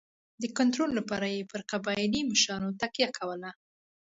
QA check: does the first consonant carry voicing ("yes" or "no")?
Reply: yes